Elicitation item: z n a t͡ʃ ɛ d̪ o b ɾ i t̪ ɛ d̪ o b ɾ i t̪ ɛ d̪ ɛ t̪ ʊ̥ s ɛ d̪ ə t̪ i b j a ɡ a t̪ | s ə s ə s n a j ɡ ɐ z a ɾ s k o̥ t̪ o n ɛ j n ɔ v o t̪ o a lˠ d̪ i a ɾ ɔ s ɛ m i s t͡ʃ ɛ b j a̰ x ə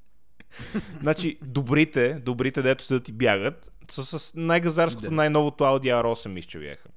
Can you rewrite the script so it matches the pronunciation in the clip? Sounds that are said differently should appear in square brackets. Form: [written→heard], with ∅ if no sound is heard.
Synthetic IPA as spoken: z n a t͡ʃ [ɛ→i] d̪ o b ɾ i t̪ ɛ d̪ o b ɾ i t̪ ɛ d̪ ɛ t̪ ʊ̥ s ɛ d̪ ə t̪ i b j a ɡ [a→ə] t̪ | s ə s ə s n a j ɡ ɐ z a ɾ s k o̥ t̪ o n [ɛ→a] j n ɔ v o t̪ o a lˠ d̪ i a ɾ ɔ s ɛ m i s t͡ʃ ɛ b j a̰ x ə